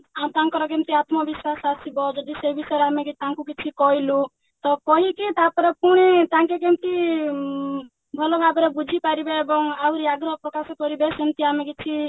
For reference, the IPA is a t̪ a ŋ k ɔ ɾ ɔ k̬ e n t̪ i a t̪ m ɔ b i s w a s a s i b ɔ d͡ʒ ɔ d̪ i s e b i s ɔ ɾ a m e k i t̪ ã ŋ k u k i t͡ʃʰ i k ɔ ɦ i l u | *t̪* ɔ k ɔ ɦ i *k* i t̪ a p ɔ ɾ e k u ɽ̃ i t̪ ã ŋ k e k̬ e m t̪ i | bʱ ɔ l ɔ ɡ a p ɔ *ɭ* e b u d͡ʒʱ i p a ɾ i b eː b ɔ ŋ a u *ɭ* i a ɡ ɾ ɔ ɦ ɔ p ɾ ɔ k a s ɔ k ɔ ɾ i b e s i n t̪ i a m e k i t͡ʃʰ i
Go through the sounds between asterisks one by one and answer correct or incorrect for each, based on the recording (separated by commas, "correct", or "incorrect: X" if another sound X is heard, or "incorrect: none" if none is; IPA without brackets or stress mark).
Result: correct, correct, incorrect: ɾ, incorrect: ɾ